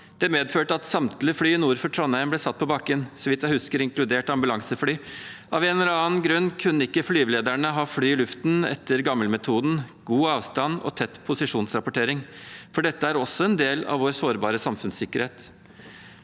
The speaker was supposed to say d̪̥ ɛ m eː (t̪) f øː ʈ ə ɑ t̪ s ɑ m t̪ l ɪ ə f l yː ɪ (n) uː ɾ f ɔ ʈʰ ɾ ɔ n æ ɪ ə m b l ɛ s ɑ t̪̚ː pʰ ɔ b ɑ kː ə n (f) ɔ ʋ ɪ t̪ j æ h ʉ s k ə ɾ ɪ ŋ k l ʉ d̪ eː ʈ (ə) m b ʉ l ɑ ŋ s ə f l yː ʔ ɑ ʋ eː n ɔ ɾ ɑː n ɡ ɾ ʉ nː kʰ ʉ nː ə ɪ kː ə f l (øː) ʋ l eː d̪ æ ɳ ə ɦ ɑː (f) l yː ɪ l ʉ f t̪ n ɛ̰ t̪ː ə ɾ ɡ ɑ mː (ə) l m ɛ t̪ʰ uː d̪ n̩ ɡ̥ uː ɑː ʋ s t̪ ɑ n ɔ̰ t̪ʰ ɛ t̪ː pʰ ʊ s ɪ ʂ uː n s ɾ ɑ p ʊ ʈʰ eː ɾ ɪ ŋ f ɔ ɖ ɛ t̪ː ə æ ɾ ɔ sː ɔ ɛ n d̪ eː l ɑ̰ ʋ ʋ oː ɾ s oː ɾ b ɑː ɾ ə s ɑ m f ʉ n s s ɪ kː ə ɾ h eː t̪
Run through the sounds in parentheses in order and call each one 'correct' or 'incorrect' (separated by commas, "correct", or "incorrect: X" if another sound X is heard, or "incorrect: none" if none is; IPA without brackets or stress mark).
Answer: incorrect: d̪, correct, incorrect: s, incorrect: ɑ, incorrect: yː, correct, correct